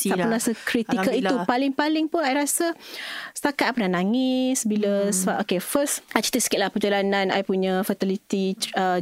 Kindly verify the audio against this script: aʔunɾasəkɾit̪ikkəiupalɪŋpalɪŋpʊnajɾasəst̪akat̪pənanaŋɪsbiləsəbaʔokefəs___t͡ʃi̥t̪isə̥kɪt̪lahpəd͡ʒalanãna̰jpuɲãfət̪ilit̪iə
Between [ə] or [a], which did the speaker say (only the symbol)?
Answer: a